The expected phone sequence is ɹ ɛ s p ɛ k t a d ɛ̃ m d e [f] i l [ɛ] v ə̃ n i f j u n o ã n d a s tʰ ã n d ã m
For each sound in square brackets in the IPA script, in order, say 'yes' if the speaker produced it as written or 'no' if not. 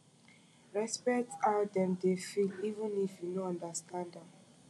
yes, no

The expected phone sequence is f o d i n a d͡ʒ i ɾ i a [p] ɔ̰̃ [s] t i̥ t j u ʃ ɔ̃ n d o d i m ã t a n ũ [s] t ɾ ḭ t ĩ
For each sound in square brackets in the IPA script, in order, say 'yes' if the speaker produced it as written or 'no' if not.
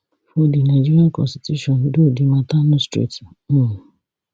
no, yes, yes

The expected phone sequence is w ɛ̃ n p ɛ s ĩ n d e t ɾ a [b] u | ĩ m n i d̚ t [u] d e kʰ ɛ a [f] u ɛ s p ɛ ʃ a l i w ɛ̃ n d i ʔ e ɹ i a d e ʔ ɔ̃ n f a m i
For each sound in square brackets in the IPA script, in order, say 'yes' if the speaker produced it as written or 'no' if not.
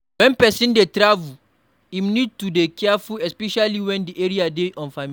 no, yes, yes

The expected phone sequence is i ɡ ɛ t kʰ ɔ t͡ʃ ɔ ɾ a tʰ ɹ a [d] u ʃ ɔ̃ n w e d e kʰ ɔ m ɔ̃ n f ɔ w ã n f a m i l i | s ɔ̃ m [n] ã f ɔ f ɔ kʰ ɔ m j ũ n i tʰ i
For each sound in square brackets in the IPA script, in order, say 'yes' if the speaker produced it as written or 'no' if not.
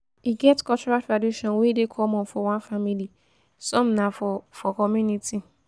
yes, yes

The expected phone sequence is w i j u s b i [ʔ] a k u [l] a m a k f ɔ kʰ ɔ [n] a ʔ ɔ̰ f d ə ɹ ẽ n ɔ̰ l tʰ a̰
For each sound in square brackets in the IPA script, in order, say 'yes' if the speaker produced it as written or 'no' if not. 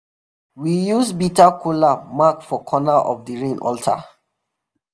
no, yes, yes

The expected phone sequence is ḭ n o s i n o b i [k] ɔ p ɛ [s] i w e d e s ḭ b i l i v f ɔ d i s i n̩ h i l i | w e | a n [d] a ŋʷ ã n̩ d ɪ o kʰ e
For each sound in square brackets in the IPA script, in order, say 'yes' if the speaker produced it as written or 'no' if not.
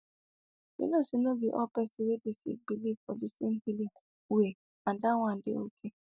no, yes, yes

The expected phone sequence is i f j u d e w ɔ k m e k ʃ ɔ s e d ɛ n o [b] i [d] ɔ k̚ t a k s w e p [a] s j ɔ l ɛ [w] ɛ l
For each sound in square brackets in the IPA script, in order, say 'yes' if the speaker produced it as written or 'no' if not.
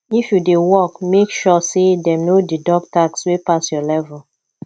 no, yes, yes, no

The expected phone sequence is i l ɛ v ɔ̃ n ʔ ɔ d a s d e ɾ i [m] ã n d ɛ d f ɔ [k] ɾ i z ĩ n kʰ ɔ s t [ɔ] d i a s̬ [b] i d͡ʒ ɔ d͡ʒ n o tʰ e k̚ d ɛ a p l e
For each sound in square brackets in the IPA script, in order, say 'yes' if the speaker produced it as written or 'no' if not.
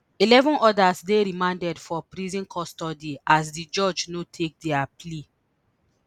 yes, no, yes, no

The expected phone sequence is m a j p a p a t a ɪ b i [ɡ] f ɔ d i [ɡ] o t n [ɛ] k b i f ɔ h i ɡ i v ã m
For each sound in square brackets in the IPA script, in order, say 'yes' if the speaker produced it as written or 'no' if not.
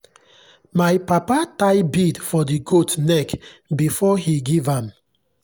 no, yes, yes

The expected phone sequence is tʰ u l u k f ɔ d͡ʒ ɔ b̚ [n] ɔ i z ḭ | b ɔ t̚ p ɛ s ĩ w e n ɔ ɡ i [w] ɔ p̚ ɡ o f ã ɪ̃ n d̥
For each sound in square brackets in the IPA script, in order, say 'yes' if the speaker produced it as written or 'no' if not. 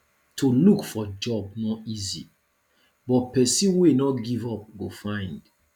yes, no

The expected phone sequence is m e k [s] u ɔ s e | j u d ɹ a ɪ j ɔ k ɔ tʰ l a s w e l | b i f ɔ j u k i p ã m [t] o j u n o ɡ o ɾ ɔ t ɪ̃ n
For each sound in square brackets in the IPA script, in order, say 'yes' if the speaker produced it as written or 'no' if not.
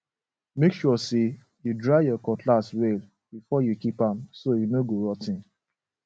no, no

